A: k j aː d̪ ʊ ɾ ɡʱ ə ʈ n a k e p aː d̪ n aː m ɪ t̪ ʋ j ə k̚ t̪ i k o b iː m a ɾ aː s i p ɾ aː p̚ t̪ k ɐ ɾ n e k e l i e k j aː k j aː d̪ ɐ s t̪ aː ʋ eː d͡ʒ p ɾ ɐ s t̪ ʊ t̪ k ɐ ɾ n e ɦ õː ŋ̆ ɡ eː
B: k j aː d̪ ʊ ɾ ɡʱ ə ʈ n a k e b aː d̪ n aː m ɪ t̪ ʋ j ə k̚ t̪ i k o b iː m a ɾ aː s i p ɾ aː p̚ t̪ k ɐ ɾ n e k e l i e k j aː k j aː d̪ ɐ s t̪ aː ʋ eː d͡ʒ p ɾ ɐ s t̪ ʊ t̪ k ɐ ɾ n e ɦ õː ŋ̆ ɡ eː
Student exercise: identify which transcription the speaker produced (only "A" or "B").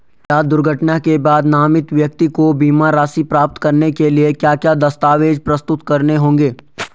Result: B